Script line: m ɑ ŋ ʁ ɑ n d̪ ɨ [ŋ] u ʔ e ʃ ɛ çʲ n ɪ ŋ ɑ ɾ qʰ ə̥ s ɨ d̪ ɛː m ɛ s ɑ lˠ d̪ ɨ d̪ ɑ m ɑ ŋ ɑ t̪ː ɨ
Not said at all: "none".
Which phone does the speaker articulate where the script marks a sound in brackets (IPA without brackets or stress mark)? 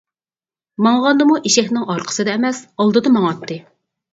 m